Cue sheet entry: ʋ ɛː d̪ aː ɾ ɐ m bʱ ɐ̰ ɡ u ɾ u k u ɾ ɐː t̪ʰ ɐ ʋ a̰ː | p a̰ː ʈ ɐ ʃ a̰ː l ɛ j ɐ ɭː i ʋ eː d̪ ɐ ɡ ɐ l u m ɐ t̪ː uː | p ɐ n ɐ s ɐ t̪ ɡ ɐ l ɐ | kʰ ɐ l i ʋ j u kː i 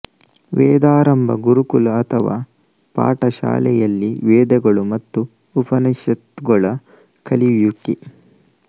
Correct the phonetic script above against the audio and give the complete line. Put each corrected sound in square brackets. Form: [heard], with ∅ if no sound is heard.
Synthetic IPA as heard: ʋ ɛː d̪ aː ɾ ɐ m bʱ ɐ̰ ɡ u ɾ u k u [l] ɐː t̪ʰ ɐ ʋ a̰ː | p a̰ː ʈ ɐ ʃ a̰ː l ɛ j ɐ [lː] i ʋ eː d̪ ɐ ɡ ɐ [ɭ] u m ɐ t̪ː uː | p ɐ n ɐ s ɐ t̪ ɡ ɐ [ɭ] ɐ | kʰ ɐ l i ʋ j u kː i

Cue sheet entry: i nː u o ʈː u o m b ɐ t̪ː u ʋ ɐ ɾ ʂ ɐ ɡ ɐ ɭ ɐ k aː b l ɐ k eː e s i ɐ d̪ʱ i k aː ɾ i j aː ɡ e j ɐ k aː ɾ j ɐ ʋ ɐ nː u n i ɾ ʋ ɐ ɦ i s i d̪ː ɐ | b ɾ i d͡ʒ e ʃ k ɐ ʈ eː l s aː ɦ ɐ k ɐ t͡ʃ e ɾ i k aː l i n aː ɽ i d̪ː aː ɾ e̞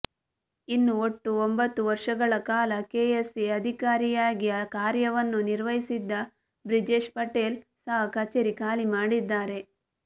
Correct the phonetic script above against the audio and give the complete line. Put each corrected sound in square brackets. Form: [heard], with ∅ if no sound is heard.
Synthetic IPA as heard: i nː u o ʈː u o m b ɐ t̪ː u ʋ ɐ ɾ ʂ ɐ ɡ ɐ ɭ ɐ k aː [∅] l ɐ k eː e s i ɐ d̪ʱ i k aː ɾ i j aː ɡ [i] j ɐ k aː ɾ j ɐ ʋ ɐ nː u n i ɾ ʋ ɐ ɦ i s i d̪ː ɐ | b ɾ i d͡ʒ e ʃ [p] ɐ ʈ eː l s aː ɦ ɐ k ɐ t͡ʃ e ɾ i k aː l i [m] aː ɽ i d̪ː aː ɾ e̞

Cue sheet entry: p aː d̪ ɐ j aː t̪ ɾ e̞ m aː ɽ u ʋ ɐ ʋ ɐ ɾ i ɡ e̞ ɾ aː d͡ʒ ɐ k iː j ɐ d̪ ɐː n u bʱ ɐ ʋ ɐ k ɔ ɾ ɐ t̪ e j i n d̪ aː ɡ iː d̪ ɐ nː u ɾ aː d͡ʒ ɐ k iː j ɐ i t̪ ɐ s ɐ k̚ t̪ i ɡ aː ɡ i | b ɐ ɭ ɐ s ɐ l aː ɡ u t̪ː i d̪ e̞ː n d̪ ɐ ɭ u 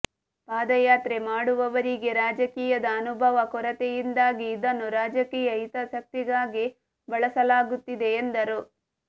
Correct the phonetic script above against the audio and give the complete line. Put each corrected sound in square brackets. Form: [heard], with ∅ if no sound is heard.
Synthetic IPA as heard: p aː d̪ ɐ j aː t̪ ɾ e̞ m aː ɽ u ʋ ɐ ʋ ɐ ɾ i ɡ e̞ ɾ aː d͡ʒ ɐ k iː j ɐ d̪ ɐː n u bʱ ɐ ʋ ɐ k ɔ ɾ ɐ t̪ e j i n d̪ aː ɡ iː d̪ ɐ nː u ɾ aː d͡ʒ ɐ k iː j ɐ i t̪ ɐ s ɐ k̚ t̪ i ɡ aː ɡ i | b ɐ ɭ ɐ s ɐ l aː ɡ u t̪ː i d̪ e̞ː n d̪ ɐ [ɾ] u

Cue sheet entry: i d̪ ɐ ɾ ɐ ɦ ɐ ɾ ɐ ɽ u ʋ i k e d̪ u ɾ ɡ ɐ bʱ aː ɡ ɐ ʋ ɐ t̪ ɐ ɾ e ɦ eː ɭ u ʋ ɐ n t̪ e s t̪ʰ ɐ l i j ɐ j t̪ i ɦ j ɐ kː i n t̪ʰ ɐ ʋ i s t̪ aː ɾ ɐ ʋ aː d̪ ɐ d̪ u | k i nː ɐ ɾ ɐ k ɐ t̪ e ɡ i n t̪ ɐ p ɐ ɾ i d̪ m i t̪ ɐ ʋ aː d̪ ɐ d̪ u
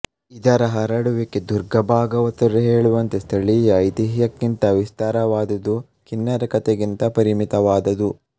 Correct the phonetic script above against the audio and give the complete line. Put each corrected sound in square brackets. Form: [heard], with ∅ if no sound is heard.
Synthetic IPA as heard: i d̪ ɐ ɾ ɐ ɦ ɐ ɾ ɐ ɽ u ʋ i k e d̪ u ɾ ɡ ɐ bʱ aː ɡ ɐ ʋ ɐ t̪ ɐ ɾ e ɦ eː ɭ u ʋ ɐ n t̪ e s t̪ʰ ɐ [ɭ] i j ɐ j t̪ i ɦ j ɐ kː i n [t̪] ɐ ʋ i s t̪ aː ɾ ɐ ʋ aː d̪ ɐ d̪ u | k i nː ɐ ɾ ɐ k ɐ t̪ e ɡ i n t̪ ɐ p ɐ ɾ i [∅] m i t̪ ɐ ʋ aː d̪ ɐ d̪ u

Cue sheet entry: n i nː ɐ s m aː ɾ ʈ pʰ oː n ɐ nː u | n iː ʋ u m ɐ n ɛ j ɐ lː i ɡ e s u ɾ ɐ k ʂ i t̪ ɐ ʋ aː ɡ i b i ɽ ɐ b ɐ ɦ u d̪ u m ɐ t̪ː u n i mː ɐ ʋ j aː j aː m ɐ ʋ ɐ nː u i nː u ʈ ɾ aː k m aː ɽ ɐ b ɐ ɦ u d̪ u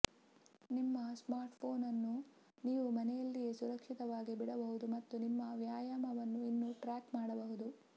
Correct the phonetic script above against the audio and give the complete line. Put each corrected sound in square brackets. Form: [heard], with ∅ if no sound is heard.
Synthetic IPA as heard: n i [mː] ɐ s m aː ɾ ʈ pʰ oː n ɐ nː u | n iː ʋ u m ɐ n ɛ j ɐ lː i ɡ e s u ɾ ɐ k ʂ i t̪ ɐ ʋ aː ɡ i b i ɽ ɐ b ɐ ɦ u d̪ u m ɐ t̪ː u n i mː ɐ ʋ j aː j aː m ɐ ʋ ɐ nː u i nː u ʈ ɾ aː k m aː ɽ ɐ b ɐ ɦ u d̪ u

